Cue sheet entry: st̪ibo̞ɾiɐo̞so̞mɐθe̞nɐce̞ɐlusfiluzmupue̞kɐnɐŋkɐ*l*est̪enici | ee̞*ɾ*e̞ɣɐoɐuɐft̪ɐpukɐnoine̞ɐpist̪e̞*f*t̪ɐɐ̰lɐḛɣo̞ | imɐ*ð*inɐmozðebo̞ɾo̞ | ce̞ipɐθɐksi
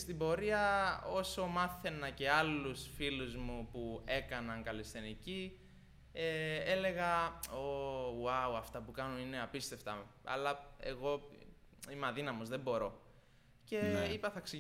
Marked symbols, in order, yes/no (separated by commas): yes, no, yes, yes